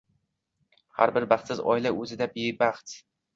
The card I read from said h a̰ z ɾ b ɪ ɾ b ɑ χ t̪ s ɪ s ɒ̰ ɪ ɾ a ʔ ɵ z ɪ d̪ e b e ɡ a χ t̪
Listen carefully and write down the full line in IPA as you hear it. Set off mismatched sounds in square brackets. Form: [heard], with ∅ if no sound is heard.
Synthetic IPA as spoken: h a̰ [∅] ɾ b ɪ ɾ b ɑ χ t̪ s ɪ [z] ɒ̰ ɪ [l] a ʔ ɵ z ɪ d̪ [a] b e [b] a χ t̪

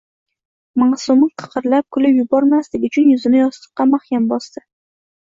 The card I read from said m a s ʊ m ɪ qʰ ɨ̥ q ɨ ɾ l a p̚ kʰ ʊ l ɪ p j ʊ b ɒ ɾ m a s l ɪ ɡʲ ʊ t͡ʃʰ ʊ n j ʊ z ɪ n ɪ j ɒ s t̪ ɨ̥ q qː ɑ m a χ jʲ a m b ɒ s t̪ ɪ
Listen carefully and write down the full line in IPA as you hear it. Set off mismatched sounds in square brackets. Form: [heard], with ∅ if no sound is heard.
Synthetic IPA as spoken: m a s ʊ m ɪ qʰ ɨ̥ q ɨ ɾ l a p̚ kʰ ʊ l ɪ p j ʊ b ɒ ɾ m a s l ɪ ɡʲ ʊ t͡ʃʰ ʊ n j ʊ z ɪ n ɪ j ɒ s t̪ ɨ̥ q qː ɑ m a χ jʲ a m b ɒ s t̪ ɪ

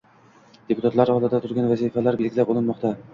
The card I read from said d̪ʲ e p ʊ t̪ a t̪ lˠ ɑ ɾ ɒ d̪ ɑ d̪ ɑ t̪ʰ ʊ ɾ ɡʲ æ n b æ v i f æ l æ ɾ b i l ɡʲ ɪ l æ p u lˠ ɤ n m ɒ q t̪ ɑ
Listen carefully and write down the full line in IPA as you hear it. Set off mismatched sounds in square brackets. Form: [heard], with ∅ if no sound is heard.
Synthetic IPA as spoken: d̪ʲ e p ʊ t̪ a t̪ lˠ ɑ ɾ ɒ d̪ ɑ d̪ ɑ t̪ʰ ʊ ɾ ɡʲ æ n [v] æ [z] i f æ l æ ɾ b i l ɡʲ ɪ l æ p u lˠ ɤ n m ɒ q t̪ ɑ

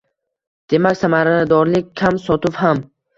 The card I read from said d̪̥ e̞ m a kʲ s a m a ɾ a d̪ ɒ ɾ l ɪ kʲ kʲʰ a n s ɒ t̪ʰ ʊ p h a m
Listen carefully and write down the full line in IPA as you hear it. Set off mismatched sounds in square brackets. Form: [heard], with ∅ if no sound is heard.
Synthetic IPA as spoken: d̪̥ e̞ m a kʲ s a m a ɾ a d̪ ɒ ɾ l ɪ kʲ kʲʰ a [m] s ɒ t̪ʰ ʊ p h a m

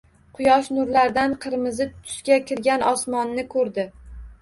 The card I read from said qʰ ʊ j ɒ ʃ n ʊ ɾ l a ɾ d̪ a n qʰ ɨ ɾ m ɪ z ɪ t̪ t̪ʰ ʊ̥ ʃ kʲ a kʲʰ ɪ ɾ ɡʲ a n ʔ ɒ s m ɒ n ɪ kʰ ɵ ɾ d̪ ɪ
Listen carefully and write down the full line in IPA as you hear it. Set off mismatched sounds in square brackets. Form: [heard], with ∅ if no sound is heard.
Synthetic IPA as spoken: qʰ ʊ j ɒ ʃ n ʊ ɾ l a ɾ d̪ a n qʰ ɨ ɾ m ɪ z ɪ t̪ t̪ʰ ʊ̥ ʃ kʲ a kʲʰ ɪ ɾ ɡʲ a n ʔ ɒ s m ɒ [nː] ɪ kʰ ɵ ɾ d̪ ɪ

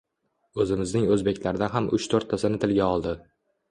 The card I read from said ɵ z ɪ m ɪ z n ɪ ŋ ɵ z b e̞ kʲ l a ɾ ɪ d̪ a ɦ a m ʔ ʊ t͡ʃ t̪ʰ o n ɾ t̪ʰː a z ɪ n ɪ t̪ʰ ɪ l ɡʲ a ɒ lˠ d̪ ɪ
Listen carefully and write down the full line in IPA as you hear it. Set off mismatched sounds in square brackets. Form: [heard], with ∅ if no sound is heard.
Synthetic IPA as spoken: ɵ z ɪ m ɪ z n ɪ ŋ ɵ z b e̞ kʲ l a ɾ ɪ d̪ a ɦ a m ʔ ʊ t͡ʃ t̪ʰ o [∅] ɾ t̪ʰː a [s] ɪ n ɪ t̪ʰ ɪ l ɡʲ a ɒ lˠ d̪ ɪ

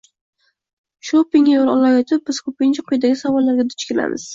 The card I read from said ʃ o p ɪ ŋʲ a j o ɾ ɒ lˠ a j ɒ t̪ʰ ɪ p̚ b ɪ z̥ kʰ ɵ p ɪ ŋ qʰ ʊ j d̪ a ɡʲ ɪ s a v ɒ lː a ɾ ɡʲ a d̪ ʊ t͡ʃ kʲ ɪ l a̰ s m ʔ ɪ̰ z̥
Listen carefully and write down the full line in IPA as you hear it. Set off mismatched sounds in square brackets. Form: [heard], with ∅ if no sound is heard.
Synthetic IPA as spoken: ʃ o p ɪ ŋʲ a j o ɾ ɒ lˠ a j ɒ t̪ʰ ɪ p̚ b ɪ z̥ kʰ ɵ p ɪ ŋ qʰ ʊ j d̪ a ɡʲ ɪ s a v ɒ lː a ɾ ɡʲ a d̪ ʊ t͡ʃ kʲ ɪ l a̰ [∅] m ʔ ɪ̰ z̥

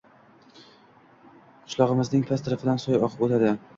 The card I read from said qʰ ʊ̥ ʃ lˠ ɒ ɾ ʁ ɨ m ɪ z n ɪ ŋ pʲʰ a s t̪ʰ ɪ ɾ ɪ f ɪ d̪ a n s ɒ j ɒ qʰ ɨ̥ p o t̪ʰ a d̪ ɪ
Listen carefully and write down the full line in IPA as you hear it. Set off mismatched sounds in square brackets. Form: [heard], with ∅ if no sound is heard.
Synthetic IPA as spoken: qʰ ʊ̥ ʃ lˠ ɒ [∅] ʁ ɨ m ɪ z n ɪ ŋ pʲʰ a s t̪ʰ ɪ ɾ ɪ f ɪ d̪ a n s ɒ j ɒ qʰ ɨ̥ p o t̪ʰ a d̪ ɪ

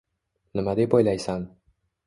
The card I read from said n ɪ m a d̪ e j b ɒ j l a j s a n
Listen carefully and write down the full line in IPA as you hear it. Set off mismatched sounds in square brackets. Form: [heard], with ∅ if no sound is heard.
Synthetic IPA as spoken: n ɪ m a d̪ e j b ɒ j l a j s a n

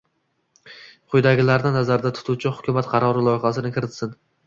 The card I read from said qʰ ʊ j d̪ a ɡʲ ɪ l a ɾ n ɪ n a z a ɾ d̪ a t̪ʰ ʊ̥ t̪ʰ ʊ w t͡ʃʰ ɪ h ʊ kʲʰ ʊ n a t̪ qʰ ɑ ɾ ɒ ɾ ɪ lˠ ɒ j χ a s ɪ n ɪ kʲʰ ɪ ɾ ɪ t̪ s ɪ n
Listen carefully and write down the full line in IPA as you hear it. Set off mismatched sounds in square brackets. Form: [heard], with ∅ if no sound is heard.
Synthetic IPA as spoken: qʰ ʊ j d̪ a ɡʲ ɪ l a ɾ n ɪ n a z a ɾ d̪ a t̪ʰ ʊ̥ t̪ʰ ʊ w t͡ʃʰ ɪ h ʊ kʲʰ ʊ [m] a t̪ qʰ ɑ ɾ ɒ ɾ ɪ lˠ ɒ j χ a s ɪ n ɪ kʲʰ ɪ ɾ ɪ t̪ s ɪ n

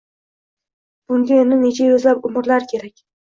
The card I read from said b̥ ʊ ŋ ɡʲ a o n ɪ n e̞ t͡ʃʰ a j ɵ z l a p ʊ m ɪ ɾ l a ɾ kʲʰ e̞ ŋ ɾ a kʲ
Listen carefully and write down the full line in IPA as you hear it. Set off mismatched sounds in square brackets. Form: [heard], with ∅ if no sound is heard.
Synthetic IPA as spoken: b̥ ʊ ŋ ɡʲ a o n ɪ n e̞ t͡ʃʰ a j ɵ z l a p ʊ m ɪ ɾ l a ɾ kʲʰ e̞ [∅] ɾ a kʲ

